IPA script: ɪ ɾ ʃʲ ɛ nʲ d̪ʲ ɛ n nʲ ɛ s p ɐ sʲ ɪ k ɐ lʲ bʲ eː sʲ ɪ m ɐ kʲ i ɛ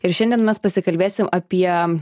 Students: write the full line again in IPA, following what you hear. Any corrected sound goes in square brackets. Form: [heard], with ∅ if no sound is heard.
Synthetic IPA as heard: ɪ ɾ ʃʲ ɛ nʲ d̪ʲ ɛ n [mʲ] ɛ s p ɐ sʲ ɪ k ɐ lʲ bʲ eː sʲ ɪ m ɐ [pʲ] i ɛ